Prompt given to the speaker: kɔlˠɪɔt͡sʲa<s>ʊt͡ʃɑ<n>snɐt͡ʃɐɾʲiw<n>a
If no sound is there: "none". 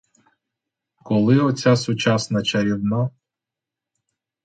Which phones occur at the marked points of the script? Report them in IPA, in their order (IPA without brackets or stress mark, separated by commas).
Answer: s, none, n